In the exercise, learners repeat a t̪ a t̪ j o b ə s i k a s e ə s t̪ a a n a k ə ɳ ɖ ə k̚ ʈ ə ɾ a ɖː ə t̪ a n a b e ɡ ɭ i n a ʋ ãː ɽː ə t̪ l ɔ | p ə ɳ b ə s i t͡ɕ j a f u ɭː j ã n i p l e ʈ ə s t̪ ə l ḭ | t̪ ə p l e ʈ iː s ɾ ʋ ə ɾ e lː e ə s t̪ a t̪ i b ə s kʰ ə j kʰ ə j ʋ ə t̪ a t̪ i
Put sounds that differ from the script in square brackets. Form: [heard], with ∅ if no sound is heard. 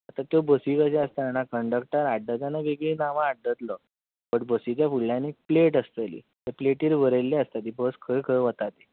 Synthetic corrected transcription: a t̪ a t̪ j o b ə s i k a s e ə s t̪ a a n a k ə ɳ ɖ ə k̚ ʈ ə ɾ a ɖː ə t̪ a n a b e ɡ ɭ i n a ʋ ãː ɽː ə t̪ l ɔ | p ə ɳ b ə s i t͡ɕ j a f u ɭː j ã n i p l e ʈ ə s t̪ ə l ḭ | t̪ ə p l e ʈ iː [∅] ɾ ʋ ə ɾ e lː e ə s t̪ a t̪ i b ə s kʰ ə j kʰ ə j ʋ ə t̪ a t̪ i